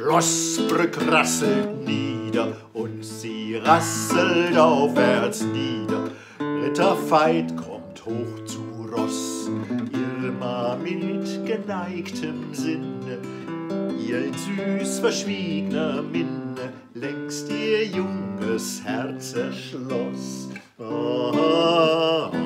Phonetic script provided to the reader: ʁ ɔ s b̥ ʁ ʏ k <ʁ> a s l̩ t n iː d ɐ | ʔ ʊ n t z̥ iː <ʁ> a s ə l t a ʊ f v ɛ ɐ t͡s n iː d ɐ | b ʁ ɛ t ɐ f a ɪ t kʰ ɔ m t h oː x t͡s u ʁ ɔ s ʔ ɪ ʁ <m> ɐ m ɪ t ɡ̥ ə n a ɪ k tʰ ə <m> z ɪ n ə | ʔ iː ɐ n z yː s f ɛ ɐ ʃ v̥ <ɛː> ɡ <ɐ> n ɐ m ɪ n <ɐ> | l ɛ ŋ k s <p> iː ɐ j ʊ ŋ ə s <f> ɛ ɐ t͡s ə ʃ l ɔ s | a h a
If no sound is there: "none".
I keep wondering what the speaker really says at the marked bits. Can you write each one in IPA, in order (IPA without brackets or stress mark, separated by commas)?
ʁ, ʁ, m, m, iː, ə, ə, t, h